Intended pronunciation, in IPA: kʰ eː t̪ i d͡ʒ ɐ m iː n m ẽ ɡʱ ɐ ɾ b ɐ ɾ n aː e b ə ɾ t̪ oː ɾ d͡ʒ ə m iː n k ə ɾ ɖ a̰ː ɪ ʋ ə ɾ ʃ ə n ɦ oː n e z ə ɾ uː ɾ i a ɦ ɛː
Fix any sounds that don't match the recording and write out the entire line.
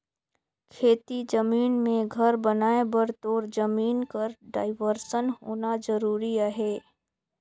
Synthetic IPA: kʰ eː t̪ i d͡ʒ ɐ m iː n m ẽ ɡʱ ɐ ɾ b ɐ n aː e b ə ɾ t̪ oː ɾ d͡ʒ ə m iː n k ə ɾ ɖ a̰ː ɪ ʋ ə ɾ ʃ ə n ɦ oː n a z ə ɾ uː ɾ i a ɦ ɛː